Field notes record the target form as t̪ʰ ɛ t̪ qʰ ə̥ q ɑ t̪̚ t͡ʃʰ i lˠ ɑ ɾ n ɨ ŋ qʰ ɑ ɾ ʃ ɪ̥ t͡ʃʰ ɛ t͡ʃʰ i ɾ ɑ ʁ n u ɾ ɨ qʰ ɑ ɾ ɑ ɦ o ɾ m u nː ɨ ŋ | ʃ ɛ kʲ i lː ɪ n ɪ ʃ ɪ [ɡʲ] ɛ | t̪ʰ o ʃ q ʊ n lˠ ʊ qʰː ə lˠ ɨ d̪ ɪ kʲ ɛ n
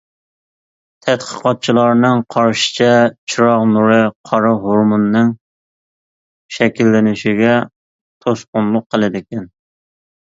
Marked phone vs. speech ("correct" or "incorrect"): correct